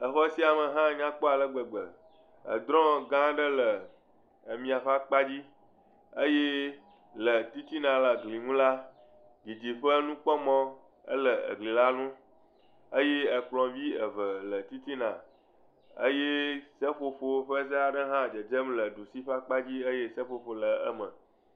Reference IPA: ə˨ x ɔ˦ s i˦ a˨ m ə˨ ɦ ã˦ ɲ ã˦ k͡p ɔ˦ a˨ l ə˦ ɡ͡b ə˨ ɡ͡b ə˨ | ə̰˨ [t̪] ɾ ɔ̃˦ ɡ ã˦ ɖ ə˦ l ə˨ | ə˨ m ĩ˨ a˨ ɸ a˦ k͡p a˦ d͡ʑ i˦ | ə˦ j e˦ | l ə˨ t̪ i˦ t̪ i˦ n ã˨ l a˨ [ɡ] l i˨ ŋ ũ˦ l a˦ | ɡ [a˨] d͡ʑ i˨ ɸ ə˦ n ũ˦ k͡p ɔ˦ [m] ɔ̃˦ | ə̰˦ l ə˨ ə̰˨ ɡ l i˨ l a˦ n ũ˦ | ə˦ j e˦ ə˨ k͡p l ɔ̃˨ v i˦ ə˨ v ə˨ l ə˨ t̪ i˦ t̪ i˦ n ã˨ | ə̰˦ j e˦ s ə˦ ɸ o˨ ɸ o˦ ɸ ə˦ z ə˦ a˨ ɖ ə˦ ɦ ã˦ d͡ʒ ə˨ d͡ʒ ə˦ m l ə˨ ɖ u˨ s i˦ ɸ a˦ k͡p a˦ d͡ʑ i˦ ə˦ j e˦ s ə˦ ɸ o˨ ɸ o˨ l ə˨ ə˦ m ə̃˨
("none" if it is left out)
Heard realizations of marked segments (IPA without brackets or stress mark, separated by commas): d̪, ɡ, i˨, m